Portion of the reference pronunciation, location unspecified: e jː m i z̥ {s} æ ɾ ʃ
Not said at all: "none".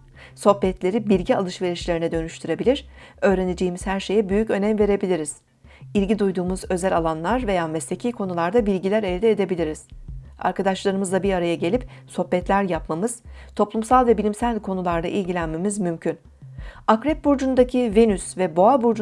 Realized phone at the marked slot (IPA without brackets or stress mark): h